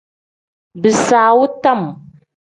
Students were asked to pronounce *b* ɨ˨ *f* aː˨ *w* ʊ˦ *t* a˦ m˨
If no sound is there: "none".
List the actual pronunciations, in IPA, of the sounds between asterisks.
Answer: b, s, w, t

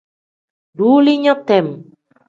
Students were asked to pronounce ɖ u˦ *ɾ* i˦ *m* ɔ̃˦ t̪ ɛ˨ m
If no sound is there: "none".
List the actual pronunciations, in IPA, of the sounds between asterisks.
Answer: l, ɲ

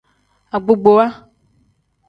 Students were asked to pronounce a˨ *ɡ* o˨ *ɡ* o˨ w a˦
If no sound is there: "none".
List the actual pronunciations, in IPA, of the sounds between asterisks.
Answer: ɡ͡b, ɡ͡b

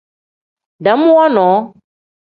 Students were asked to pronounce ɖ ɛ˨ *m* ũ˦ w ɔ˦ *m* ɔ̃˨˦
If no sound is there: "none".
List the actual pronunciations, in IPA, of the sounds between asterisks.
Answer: m, n

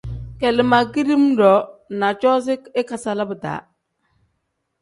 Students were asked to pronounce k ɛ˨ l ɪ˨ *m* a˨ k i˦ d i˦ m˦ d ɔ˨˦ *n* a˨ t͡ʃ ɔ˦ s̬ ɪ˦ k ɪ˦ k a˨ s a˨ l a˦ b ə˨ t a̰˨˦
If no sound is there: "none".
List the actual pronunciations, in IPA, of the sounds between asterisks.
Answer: m, n

